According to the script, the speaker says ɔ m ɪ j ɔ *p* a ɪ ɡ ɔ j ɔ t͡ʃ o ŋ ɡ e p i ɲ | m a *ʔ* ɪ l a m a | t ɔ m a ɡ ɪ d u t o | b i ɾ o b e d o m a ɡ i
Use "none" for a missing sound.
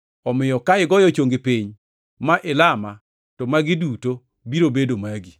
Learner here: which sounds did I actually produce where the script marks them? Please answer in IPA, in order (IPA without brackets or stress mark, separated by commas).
k, ʔ